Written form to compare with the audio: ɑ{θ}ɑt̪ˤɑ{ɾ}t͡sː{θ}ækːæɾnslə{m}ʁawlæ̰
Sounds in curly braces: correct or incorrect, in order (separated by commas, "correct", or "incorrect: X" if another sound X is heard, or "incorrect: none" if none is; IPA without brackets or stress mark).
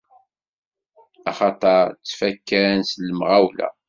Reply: incorrect: χ, correct, incorrect: f, correct